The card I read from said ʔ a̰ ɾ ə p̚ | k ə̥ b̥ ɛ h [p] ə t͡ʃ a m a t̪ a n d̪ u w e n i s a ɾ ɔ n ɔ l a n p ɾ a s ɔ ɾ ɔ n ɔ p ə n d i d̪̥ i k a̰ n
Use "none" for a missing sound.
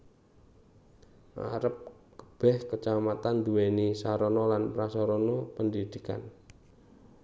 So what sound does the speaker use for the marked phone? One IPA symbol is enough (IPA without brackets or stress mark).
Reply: k